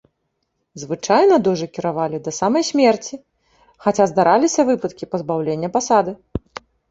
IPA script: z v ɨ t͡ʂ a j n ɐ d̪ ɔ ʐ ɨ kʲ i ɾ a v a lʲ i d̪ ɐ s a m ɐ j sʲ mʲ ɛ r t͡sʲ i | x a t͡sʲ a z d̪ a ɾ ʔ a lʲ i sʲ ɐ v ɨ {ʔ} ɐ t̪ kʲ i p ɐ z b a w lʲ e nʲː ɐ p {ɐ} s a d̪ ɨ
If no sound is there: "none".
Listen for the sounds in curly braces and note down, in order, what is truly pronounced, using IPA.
p, a

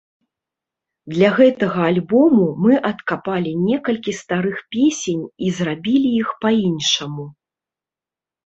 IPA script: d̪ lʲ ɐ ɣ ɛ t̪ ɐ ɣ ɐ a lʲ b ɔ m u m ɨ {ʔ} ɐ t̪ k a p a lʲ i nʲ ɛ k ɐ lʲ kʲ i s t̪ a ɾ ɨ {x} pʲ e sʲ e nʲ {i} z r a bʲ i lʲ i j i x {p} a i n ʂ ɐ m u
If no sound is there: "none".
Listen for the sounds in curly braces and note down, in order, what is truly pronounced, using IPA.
ʔ, x, i, p

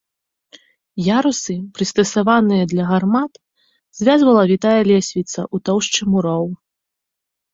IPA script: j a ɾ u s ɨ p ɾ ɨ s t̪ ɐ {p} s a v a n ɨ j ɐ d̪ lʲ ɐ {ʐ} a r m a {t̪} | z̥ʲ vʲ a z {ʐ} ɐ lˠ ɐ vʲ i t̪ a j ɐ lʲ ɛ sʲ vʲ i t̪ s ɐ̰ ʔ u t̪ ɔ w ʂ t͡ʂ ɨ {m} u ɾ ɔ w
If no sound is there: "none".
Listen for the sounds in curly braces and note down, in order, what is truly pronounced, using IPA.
none, ɣ, t̪, v, m

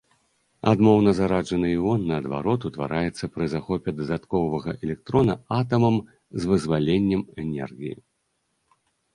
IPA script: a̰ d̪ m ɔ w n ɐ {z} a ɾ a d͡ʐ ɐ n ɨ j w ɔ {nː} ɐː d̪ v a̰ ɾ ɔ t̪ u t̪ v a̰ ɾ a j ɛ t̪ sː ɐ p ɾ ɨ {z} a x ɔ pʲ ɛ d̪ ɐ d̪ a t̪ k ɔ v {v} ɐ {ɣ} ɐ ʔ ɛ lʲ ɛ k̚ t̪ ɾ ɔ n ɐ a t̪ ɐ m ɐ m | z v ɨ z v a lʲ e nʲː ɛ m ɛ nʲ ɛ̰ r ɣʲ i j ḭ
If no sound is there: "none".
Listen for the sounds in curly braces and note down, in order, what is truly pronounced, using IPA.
z, nː, z, v, ɣ

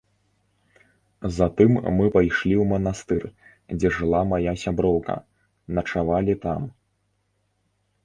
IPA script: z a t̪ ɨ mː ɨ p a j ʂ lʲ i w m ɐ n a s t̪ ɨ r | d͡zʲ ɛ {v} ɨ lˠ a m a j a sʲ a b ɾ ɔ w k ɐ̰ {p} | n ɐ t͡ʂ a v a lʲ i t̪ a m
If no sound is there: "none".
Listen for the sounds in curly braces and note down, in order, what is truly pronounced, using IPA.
ʐ, none

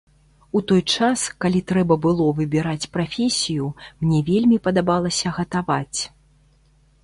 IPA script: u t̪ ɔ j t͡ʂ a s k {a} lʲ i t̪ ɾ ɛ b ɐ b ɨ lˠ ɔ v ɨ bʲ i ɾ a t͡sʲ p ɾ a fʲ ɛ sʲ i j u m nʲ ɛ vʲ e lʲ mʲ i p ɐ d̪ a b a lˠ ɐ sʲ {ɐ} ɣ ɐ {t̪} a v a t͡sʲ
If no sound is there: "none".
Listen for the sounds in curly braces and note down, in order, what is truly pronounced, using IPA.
a, ɐ, t̪

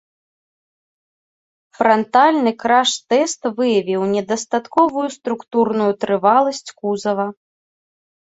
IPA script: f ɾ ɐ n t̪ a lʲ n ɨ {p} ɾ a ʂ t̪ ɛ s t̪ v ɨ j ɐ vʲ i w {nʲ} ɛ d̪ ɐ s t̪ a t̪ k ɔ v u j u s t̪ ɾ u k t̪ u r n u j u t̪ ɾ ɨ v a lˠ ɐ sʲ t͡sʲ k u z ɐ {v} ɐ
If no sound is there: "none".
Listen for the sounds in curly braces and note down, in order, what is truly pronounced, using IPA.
k, nʲ, v

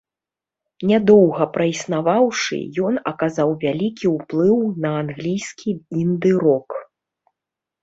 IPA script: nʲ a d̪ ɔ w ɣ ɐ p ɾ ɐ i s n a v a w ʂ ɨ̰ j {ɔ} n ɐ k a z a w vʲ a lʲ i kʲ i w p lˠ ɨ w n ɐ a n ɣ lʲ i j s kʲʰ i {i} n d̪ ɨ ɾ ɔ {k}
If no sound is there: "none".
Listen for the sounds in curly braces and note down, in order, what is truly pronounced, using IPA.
ɔ, i, k

